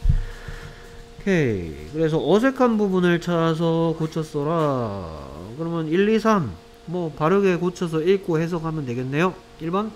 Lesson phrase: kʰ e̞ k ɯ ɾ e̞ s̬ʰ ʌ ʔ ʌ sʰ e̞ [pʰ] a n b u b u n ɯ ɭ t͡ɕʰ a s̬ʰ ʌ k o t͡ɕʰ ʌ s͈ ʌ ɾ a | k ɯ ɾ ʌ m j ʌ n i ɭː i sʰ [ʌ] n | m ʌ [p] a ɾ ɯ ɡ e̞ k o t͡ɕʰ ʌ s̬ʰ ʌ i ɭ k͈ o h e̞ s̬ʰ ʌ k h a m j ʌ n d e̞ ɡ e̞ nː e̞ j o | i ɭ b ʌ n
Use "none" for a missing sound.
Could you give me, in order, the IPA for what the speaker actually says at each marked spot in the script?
kʰ, a, p

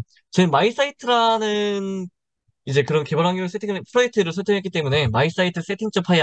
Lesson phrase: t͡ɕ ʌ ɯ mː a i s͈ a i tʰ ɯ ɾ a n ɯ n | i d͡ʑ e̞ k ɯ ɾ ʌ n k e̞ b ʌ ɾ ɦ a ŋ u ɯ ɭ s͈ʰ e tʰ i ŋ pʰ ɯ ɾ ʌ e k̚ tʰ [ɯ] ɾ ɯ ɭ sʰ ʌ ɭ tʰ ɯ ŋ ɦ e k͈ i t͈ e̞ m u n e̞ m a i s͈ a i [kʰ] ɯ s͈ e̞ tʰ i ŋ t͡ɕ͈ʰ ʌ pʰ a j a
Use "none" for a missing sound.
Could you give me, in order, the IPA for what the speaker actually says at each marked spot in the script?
ɯ, tʰ

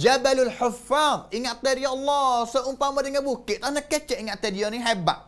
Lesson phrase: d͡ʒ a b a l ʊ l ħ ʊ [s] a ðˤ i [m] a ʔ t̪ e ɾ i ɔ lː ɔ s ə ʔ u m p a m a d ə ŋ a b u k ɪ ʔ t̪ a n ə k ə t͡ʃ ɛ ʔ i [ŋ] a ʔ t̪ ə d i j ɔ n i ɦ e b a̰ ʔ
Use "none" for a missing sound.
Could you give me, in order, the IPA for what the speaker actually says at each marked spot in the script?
f, ŋ, ŋ

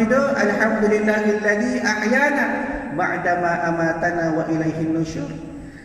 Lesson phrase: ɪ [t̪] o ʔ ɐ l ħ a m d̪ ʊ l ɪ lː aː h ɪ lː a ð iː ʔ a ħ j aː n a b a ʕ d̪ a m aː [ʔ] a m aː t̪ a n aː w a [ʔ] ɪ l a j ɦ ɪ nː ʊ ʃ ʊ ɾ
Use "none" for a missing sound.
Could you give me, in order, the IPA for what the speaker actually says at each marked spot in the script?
d̪, ʔ, ʔ

